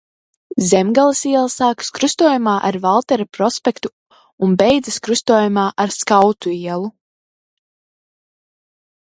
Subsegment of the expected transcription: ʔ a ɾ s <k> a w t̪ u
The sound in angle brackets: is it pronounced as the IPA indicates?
yes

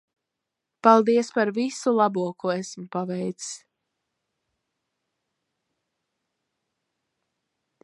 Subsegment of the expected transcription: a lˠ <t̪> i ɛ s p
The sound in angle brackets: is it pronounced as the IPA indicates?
no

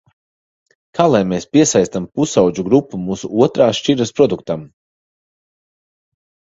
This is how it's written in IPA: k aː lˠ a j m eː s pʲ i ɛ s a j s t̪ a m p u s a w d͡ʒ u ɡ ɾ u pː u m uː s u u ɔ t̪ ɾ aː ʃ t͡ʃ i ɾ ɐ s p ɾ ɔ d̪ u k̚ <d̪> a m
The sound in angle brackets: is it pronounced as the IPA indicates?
no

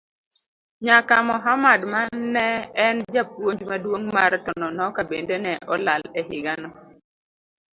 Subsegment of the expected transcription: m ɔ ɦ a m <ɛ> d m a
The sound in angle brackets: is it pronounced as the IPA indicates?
no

